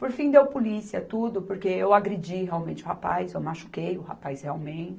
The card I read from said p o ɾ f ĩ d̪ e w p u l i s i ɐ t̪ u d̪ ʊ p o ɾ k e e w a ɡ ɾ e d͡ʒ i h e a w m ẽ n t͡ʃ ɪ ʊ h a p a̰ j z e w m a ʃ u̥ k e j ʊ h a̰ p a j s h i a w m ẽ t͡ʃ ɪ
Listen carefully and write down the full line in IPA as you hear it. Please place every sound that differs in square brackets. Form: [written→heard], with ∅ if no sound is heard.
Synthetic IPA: p o ɾ f ĩ d̪ e w p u l i s i ɐ t̪ u d̪ ʊ p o ɾ k e e w a ɡ ɾ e d͡ʒ i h e a w m ẽ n t͡ʃ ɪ ʊ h a p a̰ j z e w m a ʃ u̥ k e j ʊ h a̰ p a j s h [i→e] a w m ẽ t͡ʃ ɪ